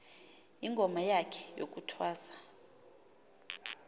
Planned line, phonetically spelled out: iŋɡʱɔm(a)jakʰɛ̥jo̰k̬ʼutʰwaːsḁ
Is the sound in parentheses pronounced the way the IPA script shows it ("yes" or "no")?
yes